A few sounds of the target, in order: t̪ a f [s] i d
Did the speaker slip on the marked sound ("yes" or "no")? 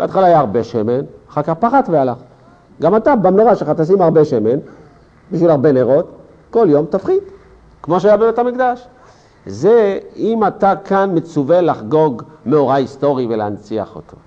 yes